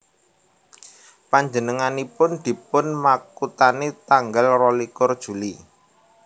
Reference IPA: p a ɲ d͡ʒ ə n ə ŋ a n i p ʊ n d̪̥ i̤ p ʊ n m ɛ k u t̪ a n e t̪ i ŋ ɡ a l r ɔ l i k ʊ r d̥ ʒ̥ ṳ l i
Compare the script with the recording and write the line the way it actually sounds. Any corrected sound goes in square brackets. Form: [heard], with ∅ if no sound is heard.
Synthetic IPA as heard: p a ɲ d͡ʒ ə n ə ŋ a n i p ʊ n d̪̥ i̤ p ʊ n m [a] k u t̪ a n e t̪ [a] ŋ ɡ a l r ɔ l i k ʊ r d̥ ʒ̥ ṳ l i